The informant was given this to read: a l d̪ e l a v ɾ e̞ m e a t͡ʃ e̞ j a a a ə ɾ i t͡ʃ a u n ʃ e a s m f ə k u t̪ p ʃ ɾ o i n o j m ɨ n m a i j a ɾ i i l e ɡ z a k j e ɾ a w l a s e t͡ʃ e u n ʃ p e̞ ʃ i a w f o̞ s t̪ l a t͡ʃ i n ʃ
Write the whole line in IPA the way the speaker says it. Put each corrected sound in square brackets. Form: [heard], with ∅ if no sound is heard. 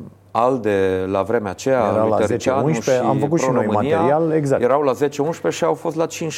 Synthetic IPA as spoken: a l d̪ e l a v ɾ e̞ m e a t͡ʃ e̞ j a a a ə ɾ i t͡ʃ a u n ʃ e a [∅] m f ə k u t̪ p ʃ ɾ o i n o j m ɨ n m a i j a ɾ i [a] l e ɡ z a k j e ɾ a w l a [z] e t͡ʃ e u n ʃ p e̞ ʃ i a w f o̞ s t̪ l a t͡ʃ i n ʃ